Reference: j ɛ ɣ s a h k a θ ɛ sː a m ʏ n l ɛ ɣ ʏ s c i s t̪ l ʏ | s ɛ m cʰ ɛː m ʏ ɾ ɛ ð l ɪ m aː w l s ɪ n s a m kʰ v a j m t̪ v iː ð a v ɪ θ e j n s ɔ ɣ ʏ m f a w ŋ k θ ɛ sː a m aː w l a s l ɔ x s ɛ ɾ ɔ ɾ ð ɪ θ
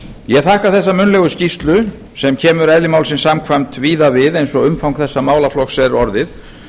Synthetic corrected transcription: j ɛ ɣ θ a h k a θ ɛ sː a m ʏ n l ɛ ɣ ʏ s c i s t̪ l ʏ | s ɛ m cʰ ɛː m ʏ ɾ ɛ ð l ɪ m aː w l s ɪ n s a m kʰ v a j m t̪ v iː ð a v ɪ ð e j n s ɔ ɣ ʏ m f a w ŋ k θ ɛ sː a m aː w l a f l ɔ x s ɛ ɾ ɔ ɾ ð ɪ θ